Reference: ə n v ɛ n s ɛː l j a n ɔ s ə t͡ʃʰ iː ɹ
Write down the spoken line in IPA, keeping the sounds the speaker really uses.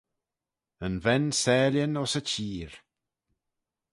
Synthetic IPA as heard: ə n v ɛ n s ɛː l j ə n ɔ s ə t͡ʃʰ iː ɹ